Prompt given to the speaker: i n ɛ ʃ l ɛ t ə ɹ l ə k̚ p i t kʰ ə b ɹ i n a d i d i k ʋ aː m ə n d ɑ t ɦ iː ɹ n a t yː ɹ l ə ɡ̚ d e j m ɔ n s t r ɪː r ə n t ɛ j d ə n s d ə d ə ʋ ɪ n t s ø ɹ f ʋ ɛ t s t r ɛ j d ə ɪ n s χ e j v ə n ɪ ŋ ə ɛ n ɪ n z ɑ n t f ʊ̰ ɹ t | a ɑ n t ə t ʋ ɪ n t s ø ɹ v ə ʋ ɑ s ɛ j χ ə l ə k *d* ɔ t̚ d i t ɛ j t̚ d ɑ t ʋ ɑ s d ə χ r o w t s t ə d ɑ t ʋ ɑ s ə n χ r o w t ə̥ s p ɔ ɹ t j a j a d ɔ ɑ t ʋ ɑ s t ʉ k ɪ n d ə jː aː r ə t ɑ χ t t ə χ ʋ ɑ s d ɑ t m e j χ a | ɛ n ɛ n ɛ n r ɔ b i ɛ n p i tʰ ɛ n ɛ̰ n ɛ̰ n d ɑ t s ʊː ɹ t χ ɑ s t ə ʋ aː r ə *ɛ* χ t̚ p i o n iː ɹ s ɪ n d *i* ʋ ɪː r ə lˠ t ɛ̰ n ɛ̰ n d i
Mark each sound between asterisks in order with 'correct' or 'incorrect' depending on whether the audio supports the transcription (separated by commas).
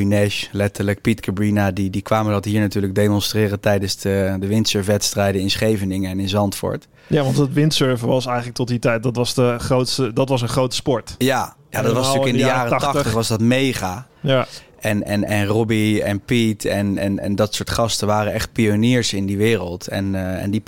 incorrect, correct, correct